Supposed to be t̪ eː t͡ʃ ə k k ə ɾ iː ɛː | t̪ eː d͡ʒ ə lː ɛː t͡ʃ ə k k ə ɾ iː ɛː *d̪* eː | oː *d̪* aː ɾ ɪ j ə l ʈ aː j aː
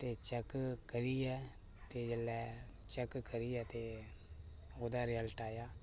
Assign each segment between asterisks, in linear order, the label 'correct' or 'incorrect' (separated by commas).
incorrect, correct